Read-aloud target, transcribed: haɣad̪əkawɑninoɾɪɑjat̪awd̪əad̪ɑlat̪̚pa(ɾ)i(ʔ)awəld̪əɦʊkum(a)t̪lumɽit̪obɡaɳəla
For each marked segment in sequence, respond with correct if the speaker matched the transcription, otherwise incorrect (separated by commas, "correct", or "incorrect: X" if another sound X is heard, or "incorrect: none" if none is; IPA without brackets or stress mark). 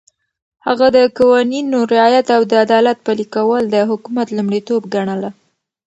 incorrect: l, incorrect: k, correct